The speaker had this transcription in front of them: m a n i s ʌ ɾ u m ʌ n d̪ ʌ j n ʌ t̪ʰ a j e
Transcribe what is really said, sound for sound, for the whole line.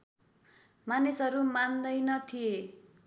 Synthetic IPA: m a n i s ʌ ɾ u m a n d̪ ʌ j n ʌ t̪ʰ i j e